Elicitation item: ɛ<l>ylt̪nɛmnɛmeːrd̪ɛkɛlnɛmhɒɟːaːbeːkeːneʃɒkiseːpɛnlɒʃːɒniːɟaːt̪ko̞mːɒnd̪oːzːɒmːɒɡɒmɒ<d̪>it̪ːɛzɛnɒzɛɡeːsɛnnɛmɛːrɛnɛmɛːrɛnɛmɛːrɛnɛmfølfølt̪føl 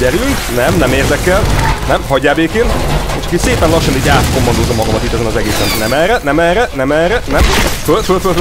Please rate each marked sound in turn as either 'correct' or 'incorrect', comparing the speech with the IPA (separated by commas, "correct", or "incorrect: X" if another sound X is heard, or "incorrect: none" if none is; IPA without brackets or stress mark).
incorrect: ɾ, incorrect: t̪